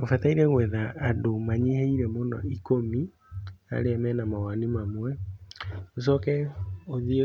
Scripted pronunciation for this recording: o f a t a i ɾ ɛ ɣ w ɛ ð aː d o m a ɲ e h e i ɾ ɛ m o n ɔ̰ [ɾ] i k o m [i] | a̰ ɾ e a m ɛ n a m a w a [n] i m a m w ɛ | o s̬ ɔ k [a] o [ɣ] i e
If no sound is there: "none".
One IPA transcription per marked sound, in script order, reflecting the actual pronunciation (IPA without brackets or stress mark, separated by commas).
none, i, n, ɛ, ð